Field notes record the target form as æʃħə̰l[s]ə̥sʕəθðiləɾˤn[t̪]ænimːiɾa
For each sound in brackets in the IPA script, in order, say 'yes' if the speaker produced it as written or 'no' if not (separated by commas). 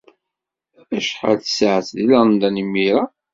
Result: no, no